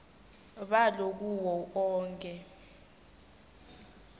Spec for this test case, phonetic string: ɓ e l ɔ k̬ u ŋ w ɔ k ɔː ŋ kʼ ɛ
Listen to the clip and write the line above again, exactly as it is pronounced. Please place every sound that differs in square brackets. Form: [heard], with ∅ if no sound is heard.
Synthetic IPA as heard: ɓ [a] l [o] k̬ u [∅] w ɔ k ɔː ŋ kʼ ɛ